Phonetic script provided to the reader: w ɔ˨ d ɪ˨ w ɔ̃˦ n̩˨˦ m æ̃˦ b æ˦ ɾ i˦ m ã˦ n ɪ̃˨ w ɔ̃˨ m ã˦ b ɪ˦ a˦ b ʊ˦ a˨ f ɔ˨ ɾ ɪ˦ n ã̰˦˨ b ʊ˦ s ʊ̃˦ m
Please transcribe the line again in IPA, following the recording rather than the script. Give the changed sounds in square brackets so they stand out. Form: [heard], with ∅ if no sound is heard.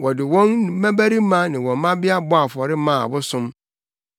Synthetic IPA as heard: w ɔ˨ d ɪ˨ w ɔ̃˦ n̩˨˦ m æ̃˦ b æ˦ ɾ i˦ m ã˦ n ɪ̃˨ w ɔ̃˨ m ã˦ b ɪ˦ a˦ b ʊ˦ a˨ f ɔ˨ ɾ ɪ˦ [m] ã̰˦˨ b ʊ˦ s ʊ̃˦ m

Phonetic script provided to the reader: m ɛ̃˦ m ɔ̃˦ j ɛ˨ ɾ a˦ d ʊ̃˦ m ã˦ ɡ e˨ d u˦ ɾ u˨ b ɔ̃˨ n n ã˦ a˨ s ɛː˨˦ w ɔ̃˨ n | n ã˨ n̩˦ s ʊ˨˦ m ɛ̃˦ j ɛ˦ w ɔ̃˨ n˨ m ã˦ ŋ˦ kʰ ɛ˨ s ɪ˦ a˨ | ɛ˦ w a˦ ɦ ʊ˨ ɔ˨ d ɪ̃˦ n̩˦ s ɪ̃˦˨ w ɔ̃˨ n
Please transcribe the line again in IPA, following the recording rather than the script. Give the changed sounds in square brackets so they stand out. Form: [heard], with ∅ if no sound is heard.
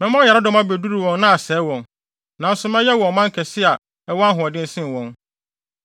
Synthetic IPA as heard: m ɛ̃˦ m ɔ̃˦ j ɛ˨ ɾ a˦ d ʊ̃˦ m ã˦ [b] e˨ d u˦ ɾ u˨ [w] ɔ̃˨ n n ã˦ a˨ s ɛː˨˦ w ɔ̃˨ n | n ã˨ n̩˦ s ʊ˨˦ m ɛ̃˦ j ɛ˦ w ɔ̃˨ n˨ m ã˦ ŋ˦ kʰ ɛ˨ s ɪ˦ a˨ | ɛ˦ w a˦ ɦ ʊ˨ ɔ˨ d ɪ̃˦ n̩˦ s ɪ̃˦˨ w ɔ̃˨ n

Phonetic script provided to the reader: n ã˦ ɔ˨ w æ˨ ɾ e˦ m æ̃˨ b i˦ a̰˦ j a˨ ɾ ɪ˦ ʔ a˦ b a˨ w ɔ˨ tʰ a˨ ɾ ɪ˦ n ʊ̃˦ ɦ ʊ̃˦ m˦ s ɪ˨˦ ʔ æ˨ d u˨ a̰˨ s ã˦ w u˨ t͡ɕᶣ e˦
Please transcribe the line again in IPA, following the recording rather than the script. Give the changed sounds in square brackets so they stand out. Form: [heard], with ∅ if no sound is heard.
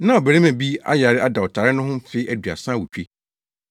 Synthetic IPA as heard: n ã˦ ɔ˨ [b] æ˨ ɾ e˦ m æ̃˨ b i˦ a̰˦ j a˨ ɾ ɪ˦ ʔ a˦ [d] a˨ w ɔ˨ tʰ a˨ ɾ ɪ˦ n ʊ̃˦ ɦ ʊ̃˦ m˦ [f] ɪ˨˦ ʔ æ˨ d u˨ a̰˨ s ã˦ w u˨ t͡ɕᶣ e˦

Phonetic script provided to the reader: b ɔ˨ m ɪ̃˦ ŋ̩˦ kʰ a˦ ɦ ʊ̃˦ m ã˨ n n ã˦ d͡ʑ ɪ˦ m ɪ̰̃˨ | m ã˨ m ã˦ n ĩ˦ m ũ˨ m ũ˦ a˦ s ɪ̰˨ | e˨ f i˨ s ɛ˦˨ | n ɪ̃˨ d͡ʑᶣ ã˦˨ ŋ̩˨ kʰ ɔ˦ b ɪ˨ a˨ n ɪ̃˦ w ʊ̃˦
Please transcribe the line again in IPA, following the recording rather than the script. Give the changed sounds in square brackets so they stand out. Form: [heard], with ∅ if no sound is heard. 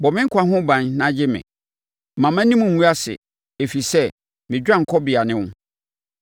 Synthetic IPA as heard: b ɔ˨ m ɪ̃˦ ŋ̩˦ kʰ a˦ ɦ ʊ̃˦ [b] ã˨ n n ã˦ d͡ʑ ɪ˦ m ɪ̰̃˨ | m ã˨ m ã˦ n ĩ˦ m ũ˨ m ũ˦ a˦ s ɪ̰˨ | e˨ f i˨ s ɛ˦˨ | [m] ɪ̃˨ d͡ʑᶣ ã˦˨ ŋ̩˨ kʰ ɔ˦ b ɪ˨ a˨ n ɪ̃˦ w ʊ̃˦

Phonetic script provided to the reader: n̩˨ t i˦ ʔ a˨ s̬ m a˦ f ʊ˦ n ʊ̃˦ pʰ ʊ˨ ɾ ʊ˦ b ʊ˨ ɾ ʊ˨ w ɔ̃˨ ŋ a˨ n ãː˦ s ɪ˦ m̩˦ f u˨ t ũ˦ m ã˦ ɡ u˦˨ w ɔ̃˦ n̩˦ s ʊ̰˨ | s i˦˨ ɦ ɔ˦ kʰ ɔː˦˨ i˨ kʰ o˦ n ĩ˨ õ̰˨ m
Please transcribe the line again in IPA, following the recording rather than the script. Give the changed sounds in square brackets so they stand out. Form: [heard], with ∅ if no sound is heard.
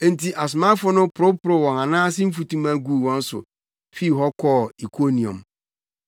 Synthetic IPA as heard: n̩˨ t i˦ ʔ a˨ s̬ m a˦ f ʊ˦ n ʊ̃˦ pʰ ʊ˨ ɾ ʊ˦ [p] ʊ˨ ɾ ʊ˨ w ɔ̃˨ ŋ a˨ n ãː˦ s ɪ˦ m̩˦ f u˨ t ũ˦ m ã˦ ɡ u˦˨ w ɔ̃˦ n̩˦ s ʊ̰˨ | [f] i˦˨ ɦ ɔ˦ kʰ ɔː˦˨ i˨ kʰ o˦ n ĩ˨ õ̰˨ m

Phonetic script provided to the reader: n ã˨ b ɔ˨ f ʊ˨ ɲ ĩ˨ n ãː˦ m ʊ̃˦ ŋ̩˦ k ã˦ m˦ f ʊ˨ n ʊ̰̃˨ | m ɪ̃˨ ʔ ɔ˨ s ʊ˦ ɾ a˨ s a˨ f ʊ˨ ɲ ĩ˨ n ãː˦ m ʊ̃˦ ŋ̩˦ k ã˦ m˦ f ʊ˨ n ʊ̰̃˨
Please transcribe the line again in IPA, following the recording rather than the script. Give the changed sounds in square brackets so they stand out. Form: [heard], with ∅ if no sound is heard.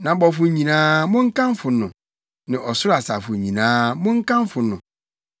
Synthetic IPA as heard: n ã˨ b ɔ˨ f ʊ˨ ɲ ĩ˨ n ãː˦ m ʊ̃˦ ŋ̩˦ k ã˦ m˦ f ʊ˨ n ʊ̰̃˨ | [n] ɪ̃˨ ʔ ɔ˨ s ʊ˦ ɾ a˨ s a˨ f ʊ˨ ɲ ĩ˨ n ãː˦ m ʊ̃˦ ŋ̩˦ k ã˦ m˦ f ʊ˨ n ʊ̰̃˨

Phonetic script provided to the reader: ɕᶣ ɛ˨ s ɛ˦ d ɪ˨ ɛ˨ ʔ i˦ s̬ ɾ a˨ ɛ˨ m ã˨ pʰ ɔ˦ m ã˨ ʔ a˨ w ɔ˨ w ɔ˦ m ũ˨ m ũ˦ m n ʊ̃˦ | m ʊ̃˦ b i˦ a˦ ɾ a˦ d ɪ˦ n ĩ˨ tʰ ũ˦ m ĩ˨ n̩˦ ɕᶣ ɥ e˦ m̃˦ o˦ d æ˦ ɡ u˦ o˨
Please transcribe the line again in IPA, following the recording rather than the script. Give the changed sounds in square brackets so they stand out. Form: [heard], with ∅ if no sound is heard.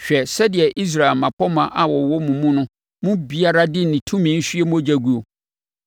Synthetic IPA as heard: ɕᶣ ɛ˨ s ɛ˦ d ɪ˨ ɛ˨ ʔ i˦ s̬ ɾ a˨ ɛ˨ m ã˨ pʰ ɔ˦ m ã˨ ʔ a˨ w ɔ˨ w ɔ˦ m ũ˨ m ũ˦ [∅] n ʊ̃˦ | m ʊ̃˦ b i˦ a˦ ɾ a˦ d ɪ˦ n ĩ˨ tʰ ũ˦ m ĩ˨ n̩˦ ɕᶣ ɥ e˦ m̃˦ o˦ [d͡ʑ] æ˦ ɡ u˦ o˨

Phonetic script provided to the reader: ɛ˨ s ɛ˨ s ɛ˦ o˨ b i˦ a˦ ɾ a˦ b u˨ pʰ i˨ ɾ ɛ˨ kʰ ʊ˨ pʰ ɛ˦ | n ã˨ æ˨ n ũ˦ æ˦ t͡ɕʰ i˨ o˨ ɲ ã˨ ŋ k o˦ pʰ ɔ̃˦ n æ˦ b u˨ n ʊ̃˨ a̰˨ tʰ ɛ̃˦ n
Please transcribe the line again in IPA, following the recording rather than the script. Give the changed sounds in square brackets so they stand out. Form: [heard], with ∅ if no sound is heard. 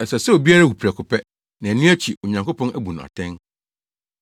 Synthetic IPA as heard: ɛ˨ s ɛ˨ s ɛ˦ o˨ b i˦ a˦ ɾ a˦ [w] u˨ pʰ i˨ ɾ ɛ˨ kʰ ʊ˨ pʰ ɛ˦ | n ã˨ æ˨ n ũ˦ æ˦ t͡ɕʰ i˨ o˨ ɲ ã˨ ŋ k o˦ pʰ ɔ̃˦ n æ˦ b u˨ n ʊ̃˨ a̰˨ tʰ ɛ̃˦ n

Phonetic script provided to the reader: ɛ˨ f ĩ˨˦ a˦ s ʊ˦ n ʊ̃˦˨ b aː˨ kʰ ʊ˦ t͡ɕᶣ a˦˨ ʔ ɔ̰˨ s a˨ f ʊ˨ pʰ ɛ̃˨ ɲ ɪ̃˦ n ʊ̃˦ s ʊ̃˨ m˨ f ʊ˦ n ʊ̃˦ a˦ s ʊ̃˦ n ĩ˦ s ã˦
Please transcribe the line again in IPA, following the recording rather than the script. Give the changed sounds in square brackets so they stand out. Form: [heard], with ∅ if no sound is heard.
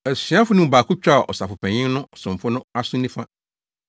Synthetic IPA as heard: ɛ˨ [s] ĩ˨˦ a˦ [f] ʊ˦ n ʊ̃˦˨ b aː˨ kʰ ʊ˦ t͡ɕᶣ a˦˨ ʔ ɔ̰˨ s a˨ f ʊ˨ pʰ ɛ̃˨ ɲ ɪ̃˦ n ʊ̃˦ s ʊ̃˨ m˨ f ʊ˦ n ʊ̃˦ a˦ s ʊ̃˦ n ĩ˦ [f] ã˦

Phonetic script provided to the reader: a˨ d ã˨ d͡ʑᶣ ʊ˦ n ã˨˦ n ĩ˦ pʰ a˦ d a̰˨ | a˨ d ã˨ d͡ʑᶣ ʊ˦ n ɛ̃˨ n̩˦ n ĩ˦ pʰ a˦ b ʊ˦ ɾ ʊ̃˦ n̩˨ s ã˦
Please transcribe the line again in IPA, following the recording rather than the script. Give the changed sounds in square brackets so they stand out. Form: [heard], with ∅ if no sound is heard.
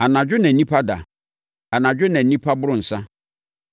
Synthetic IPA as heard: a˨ [n] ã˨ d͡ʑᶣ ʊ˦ n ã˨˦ n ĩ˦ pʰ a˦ d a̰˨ | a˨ [n] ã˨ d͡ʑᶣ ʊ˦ n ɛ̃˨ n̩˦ n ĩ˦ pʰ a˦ b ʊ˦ ɾ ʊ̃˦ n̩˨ s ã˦

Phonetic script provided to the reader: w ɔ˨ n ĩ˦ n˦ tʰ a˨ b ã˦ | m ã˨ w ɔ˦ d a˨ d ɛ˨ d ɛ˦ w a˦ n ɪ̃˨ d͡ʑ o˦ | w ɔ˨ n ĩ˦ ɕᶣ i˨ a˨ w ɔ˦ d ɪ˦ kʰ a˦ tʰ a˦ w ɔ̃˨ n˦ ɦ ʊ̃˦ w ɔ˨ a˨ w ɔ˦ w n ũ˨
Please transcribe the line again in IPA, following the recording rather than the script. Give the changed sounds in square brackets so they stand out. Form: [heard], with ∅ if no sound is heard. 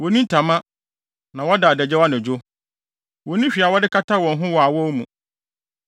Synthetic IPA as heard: w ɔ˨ n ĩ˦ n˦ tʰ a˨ [m] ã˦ | [n] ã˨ w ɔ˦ d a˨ d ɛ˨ [d͡ʑ] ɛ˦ w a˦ n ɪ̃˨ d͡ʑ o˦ | w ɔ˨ n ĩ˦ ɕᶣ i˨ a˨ w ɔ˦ d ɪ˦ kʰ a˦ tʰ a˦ w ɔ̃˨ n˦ ɦ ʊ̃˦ w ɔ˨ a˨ w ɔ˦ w [m] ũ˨

